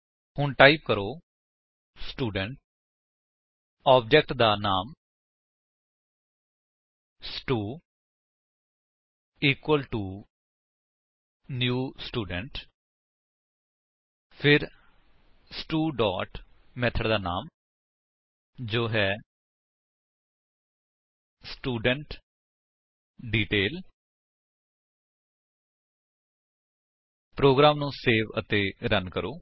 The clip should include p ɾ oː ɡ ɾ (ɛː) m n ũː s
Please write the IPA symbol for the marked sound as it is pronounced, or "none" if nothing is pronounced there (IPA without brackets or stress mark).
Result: aː